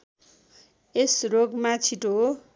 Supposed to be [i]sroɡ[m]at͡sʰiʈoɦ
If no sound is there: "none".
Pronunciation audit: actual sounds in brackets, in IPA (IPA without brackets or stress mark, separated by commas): e, m